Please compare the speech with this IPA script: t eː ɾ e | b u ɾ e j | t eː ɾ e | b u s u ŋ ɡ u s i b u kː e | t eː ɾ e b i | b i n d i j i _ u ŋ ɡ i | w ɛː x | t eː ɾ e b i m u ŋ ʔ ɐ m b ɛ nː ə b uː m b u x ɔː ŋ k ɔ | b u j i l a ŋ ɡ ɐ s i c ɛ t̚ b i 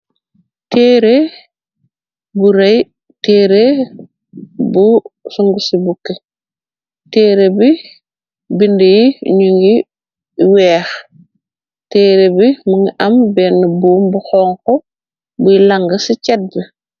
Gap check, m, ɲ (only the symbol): ɲ